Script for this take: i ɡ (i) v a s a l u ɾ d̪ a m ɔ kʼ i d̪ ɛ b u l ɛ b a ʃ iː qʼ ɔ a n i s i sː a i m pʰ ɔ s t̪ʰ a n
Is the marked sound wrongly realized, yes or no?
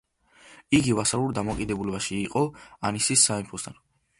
no